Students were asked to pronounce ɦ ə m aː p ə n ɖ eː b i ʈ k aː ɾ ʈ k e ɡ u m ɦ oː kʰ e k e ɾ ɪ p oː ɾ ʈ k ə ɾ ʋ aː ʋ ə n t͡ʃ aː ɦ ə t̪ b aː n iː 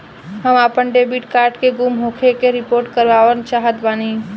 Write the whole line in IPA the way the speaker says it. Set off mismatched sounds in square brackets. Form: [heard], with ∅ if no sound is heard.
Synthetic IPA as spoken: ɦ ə m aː p ə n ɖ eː b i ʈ k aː ɾ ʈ k e ɡ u m ɦ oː kʰ e k e ɾ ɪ p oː ɾ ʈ k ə ɾ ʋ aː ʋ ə n t͡ʃ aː ɦ ə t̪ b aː n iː

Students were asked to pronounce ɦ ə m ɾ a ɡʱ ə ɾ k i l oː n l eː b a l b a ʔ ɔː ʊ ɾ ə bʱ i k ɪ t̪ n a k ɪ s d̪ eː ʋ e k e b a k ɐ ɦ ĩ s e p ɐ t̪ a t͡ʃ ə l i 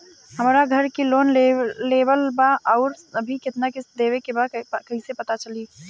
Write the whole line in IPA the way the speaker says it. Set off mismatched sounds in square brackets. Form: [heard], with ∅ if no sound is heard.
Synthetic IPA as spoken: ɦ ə m ɾ a ɡʱ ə ɾ k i l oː n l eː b [ə] l b a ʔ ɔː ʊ ɾ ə bʱ i k ɪ t̪ n a k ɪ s d̪ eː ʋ e k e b a k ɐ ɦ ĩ s e p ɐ t̪ a t͡ʃ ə l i

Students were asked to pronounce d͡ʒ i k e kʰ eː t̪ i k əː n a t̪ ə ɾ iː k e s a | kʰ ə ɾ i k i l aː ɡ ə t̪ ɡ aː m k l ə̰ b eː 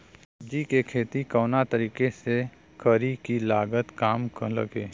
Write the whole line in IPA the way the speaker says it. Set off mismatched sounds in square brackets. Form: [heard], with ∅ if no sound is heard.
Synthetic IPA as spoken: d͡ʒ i k e kʰ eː t̪ i k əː n a t̪ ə ɾ iː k e s [e] | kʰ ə ɾ i k i l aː ɡ ə t̪ [k] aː m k l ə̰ [ɡ] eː

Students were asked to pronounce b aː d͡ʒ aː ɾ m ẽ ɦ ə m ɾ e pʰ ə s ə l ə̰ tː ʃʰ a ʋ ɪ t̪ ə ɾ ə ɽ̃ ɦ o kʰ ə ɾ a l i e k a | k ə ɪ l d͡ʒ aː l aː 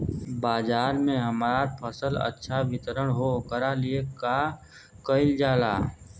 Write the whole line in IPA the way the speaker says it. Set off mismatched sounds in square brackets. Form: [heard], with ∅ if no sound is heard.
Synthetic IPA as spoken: b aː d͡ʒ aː ɾ m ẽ ɦ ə m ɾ [a] pʰ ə s ə l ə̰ tː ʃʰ a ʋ ɪ t̪ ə ɾ ə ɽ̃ ɦ o [k] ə ɾ a l i e k a | k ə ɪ l d͡ʒ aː l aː

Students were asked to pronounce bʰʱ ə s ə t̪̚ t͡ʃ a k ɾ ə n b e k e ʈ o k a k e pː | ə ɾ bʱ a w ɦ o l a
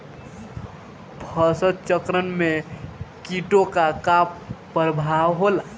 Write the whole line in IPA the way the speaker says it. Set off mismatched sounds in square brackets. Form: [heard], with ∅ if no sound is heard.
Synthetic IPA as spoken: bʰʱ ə s ə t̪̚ t͡ʃ [ə] k ɾ ə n [m] e k [i] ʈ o k a k [a] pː | ə ɾ bʱ a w ɦ o l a

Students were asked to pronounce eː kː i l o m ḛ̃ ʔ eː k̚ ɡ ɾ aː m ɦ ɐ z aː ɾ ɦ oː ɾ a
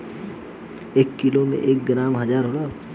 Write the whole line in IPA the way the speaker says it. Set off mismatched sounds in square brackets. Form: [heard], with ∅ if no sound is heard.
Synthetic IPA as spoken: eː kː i l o m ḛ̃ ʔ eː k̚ ɡ ɾ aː m ɦ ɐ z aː ɾ ɦ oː ɾ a

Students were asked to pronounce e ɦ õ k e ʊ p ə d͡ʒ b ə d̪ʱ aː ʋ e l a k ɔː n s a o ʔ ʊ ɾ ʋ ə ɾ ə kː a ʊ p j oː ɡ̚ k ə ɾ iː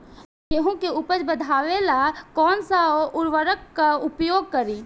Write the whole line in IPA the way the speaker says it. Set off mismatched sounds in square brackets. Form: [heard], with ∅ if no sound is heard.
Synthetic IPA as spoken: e ɦ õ k e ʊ p ə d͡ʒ b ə d̪ʱ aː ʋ e l a k ɔː n s a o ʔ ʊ ɾ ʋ ə ɾ ə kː a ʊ p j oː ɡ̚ k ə ɾ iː

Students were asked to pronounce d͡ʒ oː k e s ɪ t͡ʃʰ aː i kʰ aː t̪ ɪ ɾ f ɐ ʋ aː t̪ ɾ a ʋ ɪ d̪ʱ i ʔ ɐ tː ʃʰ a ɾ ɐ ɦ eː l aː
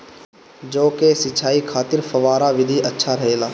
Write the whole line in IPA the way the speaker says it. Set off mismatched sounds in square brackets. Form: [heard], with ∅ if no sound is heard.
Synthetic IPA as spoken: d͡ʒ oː k e s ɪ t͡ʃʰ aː i kʰ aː t̪ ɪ ɾ f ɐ ʋ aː [∅] ɾ a ʋ ɪ d̪ʱ i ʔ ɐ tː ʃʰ a ɾ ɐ ɦ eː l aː

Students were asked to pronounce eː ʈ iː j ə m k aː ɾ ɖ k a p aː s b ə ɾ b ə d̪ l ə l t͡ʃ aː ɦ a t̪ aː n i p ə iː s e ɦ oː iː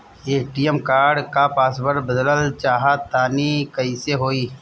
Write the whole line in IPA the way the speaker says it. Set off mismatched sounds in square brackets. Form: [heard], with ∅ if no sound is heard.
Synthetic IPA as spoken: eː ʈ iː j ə m k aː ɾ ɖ k a p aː s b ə ɾ b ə d̪ l ə l t͡ʃ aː ɦ a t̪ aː n i [k] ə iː s e ɦ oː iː

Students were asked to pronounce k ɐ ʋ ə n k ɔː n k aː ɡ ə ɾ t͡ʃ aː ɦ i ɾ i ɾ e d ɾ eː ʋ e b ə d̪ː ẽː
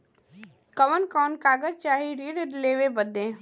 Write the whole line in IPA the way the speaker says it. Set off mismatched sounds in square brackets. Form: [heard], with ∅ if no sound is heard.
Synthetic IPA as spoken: k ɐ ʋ ə n k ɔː n k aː ɡ ə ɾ t͡ʃ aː ɦ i ɾ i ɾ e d [l] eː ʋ e b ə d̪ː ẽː

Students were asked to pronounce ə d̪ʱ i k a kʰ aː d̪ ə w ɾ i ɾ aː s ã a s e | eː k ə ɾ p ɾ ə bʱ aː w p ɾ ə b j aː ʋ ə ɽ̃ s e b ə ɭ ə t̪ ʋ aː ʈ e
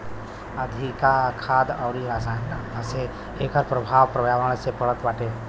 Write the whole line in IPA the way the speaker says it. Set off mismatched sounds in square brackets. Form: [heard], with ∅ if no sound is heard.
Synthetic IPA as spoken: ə d̪ʱ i k a kʰ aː d̪ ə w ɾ i ɾ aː s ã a s e | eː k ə ɾ p ɾ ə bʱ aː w p ɾ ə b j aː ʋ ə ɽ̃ s e [p] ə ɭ ə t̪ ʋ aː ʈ e

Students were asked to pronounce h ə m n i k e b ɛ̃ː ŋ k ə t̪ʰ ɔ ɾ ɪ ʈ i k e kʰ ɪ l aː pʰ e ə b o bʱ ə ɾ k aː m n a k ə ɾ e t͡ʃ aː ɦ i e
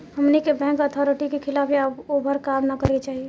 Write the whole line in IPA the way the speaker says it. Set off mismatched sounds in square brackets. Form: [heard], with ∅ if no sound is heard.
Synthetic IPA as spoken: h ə m n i k e b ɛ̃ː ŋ k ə t̪ʰ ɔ ɾ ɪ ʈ i k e kʰ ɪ l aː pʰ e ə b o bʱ ə ɾ k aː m n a k ə ɾ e t͡ʃ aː ɦ i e

